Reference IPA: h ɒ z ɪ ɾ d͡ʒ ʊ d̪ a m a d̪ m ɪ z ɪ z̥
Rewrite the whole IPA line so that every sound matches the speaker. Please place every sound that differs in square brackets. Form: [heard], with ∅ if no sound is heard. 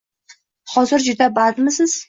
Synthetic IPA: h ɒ z ɪ ɾ d͡ʒ ʊ d̪ a [b] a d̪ m ɪ [s] ɪ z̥